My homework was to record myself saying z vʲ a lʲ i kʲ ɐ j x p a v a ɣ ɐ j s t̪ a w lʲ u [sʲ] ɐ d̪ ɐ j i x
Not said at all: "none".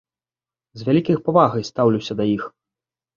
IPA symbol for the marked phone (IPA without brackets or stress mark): sʲ